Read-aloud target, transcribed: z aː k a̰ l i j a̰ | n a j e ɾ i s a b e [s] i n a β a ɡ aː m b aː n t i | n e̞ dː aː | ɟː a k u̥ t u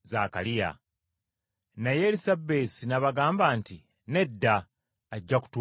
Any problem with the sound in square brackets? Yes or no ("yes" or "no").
no